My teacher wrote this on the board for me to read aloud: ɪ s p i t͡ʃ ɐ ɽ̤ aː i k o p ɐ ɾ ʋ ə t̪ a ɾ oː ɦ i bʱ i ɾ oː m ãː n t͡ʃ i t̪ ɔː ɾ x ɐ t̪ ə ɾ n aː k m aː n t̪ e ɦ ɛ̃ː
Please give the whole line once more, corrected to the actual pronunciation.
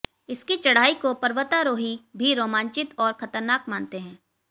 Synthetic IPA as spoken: ɪ s k i t͡ʃ ɐ ɽ̤ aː i k o p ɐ ɾ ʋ ə t̪ a ɾ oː ɦ i bʱ i ɾ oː m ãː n t͡ʃ ɪ t̪ ɔː ɾ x ɐ t̪ ə ɾ n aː k m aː n t̪ e ɦ ɛ̃ː